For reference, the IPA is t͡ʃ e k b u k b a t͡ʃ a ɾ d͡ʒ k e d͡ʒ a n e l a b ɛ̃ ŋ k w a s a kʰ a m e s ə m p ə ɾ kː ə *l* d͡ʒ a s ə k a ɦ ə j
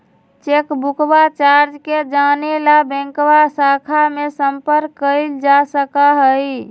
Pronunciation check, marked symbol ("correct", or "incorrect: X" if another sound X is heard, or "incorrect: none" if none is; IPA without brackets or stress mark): correct